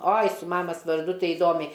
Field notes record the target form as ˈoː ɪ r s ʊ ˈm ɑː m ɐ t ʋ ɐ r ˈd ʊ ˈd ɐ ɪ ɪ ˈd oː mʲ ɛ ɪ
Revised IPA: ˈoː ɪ s ʊ ˈm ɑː m ɐ s ʋ ɐ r ˈd ʊ ˈt ɐ ɪ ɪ ˈd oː mʲ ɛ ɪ